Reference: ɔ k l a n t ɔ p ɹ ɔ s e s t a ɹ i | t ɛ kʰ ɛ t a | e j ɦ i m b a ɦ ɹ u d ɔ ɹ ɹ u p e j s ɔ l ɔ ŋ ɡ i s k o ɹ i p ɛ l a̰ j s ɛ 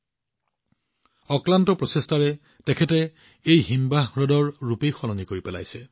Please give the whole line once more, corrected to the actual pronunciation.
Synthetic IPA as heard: ɔ k l a n t ɔ p ɹ ɔ s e s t a ɹ ɛ | t ɛ kʰ ɛ t ɛ | e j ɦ i m b a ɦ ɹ ɔ d ɔ ɹ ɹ u p e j x ɔ l ɔ ŋ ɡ i k o ɹ i p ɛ l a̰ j s ɛ